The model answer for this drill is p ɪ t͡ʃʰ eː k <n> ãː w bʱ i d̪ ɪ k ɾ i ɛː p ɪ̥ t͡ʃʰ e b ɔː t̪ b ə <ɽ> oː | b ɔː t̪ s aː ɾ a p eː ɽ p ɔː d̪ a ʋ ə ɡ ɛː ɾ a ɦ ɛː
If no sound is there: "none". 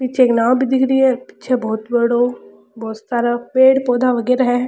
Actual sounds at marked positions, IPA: n, ɽ

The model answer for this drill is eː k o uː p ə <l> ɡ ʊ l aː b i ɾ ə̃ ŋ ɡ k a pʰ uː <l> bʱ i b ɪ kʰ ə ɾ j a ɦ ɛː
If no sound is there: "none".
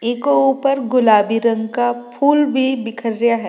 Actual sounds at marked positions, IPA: ɾ, l

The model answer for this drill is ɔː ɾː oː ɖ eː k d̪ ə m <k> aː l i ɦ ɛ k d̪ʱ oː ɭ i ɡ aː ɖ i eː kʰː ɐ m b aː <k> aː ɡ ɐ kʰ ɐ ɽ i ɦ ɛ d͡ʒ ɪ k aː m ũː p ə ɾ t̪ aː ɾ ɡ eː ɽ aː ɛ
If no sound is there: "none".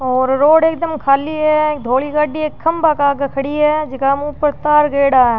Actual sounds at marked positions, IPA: kʰ, k

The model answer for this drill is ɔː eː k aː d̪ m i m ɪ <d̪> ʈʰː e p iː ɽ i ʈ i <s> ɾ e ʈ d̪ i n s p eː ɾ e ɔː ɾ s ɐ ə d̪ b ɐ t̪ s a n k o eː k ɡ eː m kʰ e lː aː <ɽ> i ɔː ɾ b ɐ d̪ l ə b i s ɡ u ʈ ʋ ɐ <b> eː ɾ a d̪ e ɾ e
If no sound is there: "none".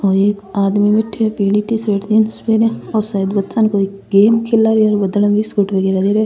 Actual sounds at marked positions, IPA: none, s, ɾ, ɡ

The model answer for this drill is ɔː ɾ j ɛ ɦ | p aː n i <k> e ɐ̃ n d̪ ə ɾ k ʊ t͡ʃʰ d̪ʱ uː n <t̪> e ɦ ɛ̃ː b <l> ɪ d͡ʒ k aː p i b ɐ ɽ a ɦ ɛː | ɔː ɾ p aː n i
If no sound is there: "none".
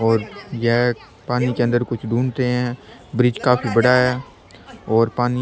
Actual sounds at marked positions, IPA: k, t̪, ɾ

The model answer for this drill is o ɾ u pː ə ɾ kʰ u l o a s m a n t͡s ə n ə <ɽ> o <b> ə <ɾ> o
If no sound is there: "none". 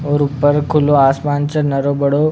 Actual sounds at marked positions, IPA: ɾ, b, ɽ

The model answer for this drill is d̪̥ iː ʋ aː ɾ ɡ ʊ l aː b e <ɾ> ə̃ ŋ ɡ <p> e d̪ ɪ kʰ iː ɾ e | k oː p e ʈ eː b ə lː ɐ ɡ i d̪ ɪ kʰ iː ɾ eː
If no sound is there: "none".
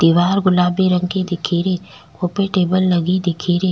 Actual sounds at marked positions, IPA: ɾ, k

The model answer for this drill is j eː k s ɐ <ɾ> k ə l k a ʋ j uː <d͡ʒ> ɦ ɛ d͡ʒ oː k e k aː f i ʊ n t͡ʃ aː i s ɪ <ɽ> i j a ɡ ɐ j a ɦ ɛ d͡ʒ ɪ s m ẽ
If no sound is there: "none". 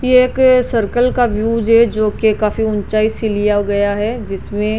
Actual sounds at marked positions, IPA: ɾ, d͡ʒ, l

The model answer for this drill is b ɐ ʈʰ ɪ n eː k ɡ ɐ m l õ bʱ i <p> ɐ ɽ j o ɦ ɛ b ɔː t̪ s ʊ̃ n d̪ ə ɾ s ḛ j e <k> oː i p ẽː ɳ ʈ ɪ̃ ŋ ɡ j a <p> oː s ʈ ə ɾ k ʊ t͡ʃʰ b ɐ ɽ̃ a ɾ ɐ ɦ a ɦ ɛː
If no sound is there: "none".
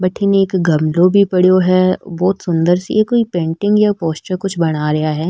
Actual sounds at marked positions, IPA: p, k, p

